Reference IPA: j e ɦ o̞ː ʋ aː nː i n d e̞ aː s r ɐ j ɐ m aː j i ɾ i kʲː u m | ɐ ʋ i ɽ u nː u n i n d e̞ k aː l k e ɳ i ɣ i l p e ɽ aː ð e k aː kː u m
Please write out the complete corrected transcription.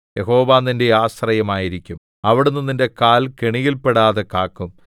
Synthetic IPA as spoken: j e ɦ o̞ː ʋ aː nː i n d e̞ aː s r ɐ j ɐ m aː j i ɾ i kʲː u m | ɐ ʋ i ɽ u nː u n i n d e̞ k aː l k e ɳ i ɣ i l p e ɽ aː ð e k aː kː u m